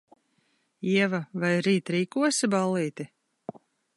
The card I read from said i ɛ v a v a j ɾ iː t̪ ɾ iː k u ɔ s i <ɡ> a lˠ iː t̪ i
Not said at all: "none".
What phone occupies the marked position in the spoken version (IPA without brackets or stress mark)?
b